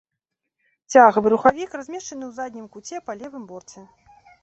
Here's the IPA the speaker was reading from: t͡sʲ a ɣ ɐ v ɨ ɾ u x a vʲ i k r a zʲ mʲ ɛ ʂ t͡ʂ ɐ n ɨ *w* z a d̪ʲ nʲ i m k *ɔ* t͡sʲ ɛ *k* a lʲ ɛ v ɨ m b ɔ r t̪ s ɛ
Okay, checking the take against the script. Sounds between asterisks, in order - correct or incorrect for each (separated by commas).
correct, incorrect, incorrect